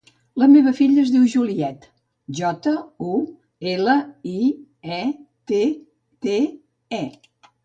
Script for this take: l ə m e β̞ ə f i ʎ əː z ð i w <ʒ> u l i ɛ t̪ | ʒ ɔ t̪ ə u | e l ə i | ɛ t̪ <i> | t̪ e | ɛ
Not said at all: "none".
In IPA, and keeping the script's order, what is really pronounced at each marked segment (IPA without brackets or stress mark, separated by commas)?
ʒ, e